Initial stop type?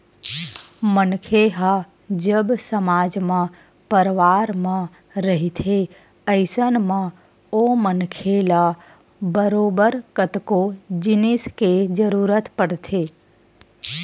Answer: aspirated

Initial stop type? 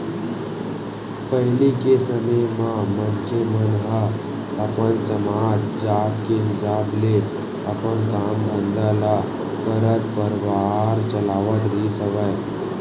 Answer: plain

